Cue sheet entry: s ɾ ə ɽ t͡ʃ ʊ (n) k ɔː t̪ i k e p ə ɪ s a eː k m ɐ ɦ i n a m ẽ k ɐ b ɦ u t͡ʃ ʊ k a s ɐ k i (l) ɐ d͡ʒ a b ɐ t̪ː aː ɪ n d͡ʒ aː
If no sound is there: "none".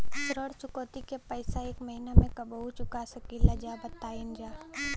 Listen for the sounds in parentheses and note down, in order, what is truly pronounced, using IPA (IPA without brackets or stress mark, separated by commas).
none, l